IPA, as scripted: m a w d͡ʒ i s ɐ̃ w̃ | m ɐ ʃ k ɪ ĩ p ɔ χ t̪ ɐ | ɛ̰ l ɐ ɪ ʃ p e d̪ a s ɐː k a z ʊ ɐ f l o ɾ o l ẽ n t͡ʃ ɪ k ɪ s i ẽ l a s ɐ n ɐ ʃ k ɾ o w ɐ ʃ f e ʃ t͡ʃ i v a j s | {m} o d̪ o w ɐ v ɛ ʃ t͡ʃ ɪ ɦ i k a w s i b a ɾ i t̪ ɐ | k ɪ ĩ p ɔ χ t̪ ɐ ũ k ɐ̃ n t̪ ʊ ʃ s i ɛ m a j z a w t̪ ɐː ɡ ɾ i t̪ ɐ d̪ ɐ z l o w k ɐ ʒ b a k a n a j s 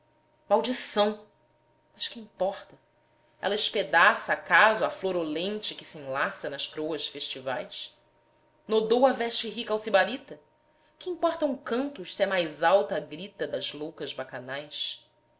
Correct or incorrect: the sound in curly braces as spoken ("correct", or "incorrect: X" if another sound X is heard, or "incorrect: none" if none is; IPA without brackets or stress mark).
incorrect: n